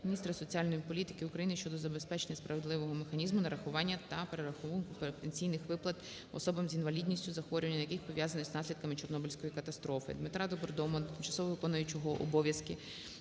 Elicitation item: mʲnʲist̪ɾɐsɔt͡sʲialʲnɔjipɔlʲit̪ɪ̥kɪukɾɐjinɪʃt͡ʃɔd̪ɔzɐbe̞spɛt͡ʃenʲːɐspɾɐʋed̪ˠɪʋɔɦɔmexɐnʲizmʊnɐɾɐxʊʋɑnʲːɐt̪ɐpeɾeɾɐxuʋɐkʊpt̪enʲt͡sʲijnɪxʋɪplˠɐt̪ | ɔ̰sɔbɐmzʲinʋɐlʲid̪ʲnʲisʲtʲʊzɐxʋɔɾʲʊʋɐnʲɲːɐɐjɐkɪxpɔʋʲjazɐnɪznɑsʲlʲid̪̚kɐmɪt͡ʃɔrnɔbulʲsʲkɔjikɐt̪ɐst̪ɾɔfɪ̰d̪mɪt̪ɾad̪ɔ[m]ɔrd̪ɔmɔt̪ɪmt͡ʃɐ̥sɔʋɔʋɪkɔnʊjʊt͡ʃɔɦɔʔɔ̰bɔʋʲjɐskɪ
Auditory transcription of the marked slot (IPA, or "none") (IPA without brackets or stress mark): b